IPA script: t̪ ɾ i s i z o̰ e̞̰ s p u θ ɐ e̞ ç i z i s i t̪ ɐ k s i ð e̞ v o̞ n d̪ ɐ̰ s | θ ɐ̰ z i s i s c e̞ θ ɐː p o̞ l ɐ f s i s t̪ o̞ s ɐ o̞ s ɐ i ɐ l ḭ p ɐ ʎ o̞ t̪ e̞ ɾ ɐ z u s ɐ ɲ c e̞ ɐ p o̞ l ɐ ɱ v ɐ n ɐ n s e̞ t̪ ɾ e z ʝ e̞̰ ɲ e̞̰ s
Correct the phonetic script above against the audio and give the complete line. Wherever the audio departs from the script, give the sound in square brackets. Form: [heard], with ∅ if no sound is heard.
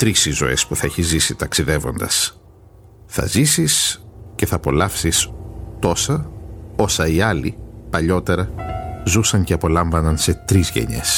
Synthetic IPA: t̪ ɾ i s i z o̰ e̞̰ s p u θ ɐ e̞ ç i z i s i t̪ ɐ k s i ð e̞ v o̞ n d̪ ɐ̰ s | θ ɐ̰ z i s i s c e̞ θ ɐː p o̞ l ɐ f s i s t̪ o̞ s ɐ o̞ s ɐ i ɐ l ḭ p ɐ ʎ o̞ t̪ e̞ ɾ ɐ z u s ɐ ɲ c e̞ ɐ p o̞ l ɐ ɱ v ɐ n ɐ n s e̞ t̪ ɾ [i] z ʝ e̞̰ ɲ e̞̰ s